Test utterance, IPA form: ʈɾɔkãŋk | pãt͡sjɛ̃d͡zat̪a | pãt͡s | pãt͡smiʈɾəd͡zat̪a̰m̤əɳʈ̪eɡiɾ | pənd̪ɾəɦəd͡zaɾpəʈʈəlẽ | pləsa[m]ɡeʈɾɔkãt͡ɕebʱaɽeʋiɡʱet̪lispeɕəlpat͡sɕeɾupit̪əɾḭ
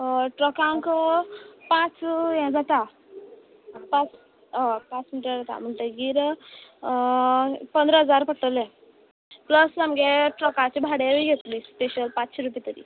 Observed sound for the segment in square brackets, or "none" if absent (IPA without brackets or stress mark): m